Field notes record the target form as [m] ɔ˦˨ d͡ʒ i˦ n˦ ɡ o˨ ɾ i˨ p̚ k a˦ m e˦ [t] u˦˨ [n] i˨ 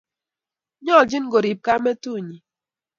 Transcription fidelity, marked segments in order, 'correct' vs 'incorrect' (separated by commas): incorrect, correct, incorrect